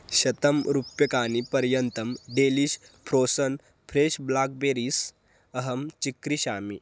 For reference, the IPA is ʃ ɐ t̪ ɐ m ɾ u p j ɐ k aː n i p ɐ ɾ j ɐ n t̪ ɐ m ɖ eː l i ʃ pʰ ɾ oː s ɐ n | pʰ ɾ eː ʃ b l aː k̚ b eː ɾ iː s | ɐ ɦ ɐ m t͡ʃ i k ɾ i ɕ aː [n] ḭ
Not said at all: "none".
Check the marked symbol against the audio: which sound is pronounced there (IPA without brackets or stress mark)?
m